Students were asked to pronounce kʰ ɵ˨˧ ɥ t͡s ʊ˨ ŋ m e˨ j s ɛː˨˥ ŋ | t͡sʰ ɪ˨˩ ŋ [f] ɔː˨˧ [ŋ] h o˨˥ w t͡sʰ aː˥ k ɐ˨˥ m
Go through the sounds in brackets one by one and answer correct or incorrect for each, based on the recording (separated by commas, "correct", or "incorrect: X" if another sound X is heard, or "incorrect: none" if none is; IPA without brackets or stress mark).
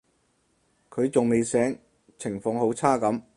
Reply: correct, correct